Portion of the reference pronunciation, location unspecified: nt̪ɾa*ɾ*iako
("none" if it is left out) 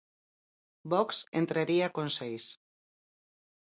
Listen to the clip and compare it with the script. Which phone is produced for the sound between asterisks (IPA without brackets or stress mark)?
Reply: ɾ